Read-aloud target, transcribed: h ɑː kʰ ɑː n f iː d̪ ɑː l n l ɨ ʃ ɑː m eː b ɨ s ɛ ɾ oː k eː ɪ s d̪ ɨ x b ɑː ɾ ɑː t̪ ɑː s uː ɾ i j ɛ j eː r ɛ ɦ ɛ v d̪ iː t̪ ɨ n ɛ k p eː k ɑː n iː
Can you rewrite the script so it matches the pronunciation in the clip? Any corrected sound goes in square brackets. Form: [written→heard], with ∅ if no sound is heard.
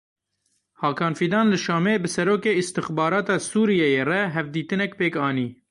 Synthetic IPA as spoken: h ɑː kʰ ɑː n f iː d̪ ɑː [l→∅] n l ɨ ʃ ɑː m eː b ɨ s ɛ ɾ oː k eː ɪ s [d̪→t̪] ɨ x b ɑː ɾ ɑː t̪ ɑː s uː ɾ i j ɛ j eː r ɛ ɦ ɛ v d̪ iː t̪ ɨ n ɛ k p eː k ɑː n iː